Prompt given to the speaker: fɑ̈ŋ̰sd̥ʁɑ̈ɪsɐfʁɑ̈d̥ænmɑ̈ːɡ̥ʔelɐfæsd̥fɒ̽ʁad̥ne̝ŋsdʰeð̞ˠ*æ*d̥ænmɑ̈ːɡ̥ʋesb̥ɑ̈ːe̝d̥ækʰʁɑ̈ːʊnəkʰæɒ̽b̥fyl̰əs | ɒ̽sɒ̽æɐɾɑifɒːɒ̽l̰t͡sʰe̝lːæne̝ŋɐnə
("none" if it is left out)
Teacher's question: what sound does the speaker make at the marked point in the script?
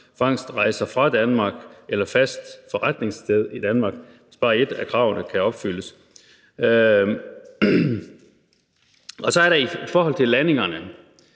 i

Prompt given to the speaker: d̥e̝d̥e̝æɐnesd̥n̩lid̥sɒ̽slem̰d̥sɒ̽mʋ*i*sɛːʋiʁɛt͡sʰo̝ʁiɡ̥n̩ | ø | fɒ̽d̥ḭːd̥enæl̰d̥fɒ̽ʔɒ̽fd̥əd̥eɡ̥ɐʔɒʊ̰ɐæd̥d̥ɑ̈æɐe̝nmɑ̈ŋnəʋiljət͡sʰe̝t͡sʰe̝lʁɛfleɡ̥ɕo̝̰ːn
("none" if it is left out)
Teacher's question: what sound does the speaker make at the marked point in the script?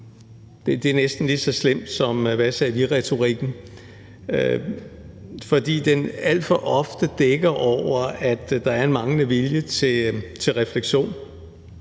æ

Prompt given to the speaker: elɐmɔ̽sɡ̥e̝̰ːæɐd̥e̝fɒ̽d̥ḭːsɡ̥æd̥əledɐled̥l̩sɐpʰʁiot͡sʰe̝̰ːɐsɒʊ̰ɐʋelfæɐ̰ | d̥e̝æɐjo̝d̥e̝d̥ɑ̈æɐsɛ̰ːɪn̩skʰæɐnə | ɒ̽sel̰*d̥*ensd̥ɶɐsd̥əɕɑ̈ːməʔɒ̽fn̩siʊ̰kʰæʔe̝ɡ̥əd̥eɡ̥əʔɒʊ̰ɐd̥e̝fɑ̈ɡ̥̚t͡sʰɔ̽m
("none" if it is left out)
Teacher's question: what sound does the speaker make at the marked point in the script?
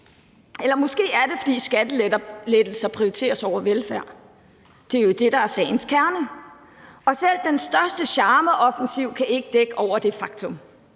d̥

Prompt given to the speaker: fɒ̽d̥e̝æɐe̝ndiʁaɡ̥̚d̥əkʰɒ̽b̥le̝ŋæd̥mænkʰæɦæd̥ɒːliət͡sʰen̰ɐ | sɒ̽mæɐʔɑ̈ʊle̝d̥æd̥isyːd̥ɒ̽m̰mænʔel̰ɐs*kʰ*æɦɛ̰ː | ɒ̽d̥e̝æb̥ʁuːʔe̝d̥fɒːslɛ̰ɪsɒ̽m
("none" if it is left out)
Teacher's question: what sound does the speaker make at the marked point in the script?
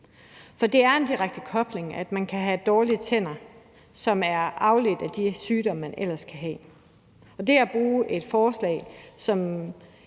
kʰ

